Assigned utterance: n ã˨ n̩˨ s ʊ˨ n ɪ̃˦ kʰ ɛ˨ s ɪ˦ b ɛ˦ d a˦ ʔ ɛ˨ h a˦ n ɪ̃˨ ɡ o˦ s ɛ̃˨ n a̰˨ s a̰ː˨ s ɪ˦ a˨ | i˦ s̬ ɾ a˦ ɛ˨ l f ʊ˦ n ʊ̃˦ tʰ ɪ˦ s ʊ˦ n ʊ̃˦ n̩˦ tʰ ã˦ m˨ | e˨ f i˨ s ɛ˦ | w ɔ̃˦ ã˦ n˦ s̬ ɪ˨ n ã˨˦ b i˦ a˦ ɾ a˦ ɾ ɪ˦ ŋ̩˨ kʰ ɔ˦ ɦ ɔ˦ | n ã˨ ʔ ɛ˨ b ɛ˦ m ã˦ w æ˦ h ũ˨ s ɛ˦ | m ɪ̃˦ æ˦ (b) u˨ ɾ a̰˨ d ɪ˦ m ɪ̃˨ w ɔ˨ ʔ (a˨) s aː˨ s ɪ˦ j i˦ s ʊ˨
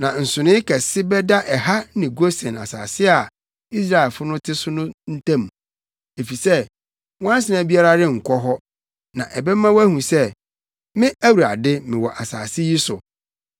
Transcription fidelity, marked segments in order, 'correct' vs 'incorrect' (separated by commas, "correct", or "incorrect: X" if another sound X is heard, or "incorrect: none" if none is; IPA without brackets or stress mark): incorrect: w, correct